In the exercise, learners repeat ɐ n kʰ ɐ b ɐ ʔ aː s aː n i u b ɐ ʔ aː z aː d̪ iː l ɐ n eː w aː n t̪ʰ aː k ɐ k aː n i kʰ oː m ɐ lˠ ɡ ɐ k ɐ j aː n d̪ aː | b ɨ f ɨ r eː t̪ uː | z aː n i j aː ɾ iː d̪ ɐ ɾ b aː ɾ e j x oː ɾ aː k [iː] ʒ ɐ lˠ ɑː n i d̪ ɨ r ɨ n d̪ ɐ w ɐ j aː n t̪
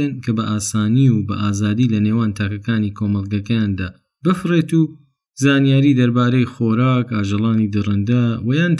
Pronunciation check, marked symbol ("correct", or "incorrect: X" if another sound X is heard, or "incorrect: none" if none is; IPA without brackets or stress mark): incorrect: aː